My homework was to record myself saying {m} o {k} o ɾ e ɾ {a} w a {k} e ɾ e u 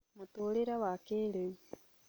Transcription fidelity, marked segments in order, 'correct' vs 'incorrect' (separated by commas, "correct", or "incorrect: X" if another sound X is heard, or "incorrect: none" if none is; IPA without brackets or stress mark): correct, incorrect: t, correct, correct